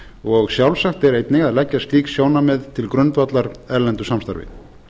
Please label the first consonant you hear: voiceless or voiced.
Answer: voiced